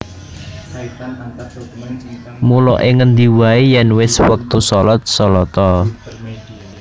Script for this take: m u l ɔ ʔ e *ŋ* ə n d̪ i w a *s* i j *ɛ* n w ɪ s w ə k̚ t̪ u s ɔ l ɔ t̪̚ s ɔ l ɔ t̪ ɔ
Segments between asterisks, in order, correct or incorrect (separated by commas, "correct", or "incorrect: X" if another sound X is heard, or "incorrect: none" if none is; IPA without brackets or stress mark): correct, incorrect: none, correct